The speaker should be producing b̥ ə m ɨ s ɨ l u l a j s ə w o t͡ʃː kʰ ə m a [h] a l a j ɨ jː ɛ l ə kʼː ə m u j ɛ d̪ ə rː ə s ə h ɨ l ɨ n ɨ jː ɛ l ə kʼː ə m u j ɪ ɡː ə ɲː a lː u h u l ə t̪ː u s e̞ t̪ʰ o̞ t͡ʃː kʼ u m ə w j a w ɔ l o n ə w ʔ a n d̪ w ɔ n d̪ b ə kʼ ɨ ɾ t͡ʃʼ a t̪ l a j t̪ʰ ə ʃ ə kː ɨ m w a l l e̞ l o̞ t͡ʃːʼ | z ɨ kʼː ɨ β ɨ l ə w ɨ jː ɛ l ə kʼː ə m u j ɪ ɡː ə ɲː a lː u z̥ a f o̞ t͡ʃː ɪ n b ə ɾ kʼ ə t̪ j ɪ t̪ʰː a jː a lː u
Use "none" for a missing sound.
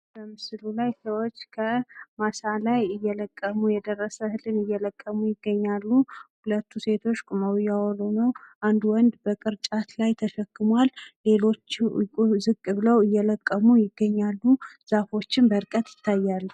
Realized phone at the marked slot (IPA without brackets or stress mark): s